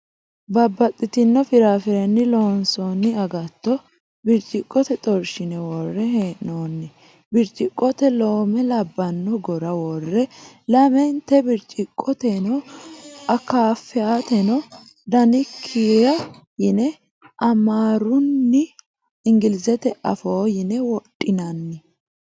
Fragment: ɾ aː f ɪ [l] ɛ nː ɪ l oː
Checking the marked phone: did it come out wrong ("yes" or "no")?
yes